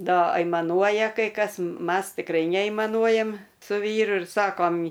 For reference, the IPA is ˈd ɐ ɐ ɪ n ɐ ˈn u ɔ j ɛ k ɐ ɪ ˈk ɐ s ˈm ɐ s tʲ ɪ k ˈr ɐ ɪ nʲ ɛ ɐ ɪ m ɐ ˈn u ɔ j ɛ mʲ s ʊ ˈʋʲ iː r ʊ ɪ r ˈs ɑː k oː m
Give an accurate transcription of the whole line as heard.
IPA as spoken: ˈd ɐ ɐ ɪ m ɐ ˈn u ɔ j ɛ k ɐ ɪ ˈk ɐ s ˈm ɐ s tʲ ɪ k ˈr ɐ ɪ nʲ ɛ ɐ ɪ m ɐ ˈn u ɔ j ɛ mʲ s ʊ ˈʋʲ iː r ʊ ɪ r ˈs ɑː k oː m